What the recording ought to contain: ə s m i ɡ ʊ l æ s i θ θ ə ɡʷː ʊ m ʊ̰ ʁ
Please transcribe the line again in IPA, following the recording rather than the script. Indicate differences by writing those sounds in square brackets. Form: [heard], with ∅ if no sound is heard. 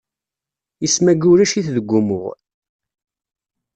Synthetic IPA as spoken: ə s m [æ] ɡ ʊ [ɾ] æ [ʃ] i θ [ð] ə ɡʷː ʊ m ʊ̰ ʁ